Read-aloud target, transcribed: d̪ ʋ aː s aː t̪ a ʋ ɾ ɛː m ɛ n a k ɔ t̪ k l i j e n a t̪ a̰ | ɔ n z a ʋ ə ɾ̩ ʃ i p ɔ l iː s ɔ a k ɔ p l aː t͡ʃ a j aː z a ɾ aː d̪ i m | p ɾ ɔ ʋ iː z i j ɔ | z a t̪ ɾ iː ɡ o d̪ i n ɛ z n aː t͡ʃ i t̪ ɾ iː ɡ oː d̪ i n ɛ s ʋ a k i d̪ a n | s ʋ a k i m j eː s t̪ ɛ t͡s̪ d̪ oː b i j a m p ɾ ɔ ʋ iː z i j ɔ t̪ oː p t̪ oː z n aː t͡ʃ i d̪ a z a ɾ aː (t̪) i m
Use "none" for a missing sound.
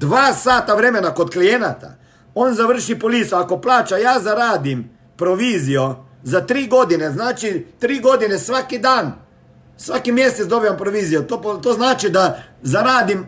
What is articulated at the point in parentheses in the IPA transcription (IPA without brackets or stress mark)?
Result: d̪